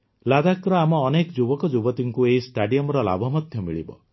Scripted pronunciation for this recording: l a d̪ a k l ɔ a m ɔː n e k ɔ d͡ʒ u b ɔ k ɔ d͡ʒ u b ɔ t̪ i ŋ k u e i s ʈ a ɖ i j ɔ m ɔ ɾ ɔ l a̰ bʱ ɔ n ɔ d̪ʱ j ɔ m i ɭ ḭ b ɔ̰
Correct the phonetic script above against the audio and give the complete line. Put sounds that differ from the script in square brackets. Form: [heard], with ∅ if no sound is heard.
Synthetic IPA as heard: l a d̪ a k [ɾ] ɔ a m ɔː n e k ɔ d͡ʒ u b ɔ k ɔ d͡ʒ u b ɔ t̪ i ŋ k u e i s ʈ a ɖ i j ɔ m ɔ ɾ ɔ l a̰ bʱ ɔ [m] ɔ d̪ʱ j ɔ m i ɭ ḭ b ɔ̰

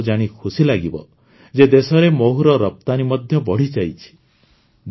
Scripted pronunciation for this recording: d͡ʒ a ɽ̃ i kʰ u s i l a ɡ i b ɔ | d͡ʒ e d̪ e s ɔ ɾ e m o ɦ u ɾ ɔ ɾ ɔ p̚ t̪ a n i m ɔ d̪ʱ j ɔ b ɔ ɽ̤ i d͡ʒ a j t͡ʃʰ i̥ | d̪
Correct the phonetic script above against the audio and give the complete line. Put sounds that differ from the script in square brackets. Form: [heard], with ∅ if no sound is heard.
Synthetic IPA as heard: d͡ʒ a ɽ̃ i kʰ u s i l a ɡ i b ɔ | d͡ʒ e d̪ e s ɔ ɾ e m o ɦ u ɾ ɔ ɾ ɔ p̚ t̪ a n i m ɔ d̪ʱ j ɔ b ɔ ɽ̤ i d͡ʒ a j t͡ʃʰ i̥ | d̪

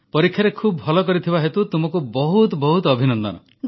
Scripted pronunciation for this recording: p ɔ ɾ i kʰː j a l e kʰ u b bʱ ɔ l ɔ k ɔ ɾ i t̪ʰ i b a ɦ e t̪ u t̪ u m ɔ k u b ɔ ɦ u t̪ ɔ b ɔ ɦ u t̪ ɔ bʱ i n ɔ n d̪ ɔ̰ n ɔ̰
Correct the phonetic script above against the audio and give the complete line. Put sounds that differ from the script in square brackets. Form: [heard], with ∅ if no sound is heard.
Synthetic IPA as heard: p ɔ ɾ i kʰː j a [ɾ] e kʰ u b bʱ ɔ l ɔ k ɔ ɾ i t̪ʰ i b a ɦ e t̪ u t̪ u m ɔ k u b ɔ ɦ u t̪ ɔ b ɔ ɦ u t̪ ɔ bʱ i n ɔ n d̪ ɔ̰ n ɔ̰

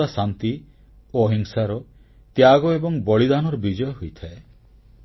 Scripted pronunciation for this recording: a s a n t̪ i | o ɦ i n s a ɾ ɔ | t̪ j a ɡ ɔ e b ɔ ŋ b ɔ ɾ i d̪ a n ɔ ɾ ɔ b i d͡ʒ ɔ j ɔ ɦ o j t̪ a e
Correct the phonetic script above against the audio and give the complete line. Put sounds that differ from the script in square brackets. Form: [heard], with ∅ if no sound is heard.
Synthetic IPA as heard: a s a n t̪ i | o ɦ i [ŋ] s a ɾ ɔ | t̪ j a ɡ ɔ e b ɔ ŋ b ɔ [ɭ] i d̪ a n ɔ ɾ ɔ b i d͡ʒ ɔ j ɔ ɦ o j [t̪ʰ] a e

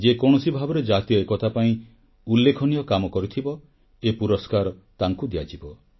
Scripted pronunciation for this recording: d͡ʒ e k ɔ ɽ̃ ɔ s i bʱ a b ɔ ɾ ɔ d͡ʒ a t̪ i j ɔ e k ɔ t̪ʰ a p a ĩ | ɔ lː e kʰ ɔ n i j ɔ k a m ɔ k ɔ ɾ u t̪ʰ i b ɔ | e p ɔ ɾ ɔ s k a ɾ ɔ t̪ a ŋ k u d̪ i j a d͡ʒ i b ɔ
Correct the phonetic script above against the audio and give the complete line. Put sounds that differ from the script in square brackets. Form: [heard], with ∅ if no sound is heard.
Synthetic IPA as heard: d͡ʒ e k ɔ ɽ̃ ɔ s i bʱ a b ɔ ɾ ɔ d͡ʒ a t̪ i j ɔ e k ɔ t̪ʰ a p a ĩ | [u] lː e kʰ ɔ n i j ɔ k a m ɔ k ɔ ɾ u t̪ʰ i b ɔ | e p [u] ɾ ɔ s k a ɾ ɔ t̪ a ŋ k u d̪ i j a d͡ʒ i b ɔ

